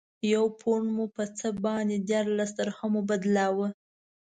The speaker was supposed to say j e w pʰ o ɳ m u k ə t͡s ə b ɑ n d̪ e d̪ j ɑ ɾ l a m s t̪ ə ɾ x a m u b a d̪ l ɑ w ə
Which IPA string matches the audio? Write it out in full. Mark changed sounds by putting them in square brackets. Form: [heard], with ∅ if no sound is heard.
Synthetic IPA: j [a] w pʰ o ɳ m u [p] ə t͡s ə b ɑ n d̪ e d̪ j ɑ ɾ l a [∅] s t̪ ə ɾ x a m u b a d̪ l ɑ w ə